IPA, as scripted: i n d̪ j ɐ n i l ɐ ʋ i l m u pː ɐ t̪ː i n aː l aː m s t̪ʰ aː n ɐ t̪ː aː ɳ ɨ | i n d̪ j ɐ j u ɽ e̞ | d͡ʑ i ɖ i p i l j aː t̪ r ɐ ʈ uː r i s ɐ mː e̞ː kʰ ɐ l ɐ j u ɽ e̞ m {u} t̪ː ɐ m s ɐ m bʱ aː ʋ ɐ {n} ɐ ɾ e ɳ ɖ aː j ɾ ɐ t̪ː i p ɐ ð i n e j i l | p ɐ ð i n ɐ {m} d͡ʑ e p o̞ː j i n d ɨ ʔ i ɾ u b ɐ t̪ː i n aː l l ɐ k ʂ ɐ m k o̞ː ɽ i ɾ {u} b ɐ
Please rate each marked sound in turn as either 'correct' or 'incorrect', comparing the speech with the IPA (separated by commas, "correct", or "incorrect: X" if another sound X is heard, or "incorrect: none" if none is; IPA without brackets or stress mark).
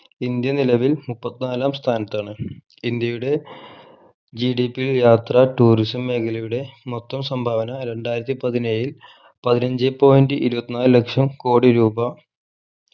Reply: incorrect: o, correct, incorrect: ɲ, incorrect: uː